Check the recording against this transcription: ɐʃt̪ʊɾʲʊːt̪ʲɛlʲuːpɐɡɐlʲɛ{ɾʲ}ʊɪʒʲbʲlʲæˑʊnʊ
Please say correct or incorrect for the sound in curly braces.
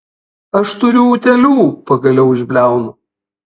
incorrect